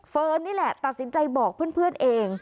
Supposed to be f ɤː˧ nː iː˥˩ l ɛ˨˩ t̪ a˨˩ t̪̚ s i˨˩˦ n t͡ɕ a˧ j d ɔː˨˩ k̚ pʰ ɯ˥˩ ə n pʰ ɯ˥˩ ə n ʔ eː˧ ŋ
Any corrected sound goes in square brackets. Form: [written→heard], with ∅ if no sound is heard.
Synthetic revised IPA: f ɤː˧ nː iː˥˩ l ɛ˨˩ t̪ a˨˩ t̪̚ s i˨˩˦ n t͡ɕ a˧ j [d→b] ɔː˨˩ k̚ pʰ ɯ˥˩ ə n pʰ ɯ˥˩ ə n ʔ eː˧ ŋ